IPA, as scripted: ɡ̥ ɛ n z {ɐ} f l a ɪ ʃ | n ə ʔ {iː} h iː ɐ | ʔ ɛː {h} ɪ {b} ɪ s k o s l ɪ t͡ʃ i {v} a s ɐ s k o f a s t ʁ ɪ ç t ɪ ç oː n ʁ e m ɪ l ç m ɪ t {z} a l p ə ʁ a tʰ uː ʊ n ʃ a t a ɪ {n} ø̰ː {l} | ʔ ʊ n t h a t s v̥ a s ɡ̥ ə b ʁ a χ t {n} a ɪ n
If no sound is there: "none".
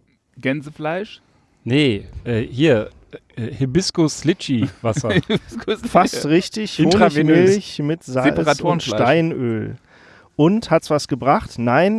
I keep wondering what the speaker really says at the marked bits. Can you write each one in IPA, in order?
ə, ɛː, h, b, v, z, n, l, n

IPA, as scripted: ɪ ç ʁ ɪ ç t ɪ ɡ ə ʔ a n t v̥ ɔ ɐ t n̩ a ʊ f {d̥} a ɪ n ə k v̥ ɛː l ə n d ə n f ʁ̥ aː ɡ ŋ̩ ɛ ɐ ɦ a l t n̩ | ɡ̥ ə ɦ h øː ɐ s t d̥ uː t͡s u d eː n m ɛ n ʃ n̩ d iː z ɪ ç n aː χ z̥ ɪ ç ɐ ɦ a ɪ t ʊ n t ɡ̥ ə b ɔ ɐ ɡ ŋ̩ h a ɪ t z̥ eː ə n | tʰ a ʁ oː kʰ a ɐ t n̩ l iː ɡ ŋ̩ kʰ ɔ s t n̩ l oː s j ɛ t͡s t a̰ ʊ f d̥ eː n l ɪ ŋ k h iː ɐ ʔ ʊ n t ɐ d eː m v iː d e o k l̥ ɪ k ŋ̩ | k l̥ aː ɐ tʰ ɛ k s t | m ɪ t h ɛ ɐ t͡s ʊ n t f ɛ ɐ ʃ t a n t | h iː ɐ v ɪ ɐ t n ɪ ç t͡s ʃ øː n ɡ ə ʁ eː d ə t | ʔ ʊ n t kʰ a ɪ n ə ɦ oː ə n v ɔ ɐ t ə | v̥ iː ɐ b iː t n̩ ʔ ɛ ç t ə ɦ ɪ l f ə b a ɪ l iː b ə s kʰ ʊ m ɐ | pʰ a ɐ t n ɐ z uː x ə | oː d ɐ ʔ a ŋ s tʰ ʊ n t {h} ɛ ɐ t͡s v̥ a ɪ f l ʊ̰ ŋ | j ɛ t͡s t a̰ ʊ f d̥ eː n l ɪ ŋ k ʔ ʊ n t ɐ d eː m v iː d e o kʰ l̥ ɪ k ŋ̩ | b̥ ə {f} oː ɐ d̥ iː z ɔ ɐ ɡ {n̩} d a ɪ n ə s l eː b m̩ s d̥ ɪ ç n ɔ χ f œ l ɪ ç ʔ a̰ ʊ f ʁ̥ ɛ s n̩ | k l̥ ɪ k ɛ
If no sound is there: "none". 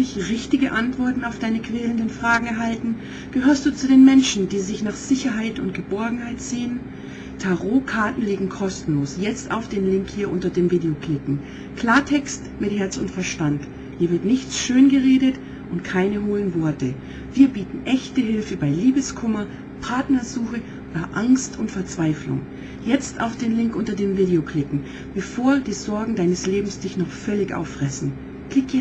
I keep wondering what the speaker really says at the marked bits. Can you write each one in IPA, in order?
d̥, f, f, ŋ̩

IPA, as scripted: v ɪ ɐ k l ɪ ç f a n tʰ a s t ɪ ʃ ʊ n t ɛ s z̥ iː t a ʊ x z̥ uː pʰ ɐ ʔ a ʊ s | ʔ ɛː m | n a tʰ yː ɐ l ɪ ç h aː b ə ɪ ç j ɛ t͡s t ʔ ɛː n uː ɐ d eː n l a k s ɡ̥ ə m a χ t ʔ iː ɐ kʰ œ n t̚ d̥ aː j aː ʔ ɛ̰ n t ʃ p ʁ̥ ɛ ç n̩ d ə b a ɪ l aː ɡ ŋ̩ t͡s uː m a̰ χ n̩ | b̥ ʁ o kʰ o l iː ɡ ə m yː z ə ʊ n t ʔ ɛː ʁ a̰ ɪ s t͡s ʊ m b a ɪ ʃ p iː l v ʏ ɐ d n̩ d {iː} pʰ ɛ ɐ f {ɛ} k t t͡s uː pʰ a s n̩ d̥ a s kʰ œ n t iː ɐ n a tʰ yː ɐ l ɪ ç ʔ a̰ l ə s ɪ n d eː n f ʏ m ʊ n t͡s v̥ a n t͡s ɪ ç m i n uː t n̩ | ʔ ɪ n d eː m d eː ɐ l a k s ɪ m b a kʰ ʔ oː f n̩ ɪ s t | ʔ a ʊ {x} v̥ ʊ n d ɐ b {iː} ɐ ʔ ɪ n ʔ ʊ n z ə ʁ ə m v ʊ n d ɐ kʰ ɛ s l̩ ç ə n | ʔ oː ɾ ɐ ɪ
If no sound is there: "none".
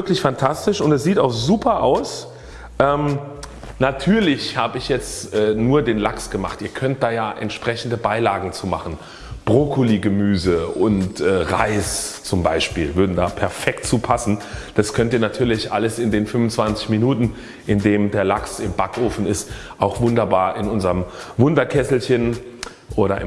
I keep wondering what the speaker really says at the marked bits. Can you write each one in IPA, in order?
aː, ɛ, x, aː

